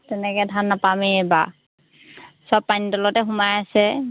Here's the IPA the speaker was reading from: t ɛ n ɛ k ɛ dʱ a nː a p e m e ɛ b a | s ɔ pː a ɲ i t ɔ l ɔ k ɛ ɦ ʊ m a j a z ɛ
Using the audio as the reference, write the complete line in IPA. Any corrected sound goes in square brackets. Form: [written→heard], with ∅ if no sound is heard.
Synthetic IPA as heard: t ɛ n ɛ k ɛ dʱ a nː a p [e→a] m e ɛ b a | s ɔ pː a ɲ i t ɔ l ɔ [k→t] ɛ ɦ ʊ m a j a [z→s] ɛ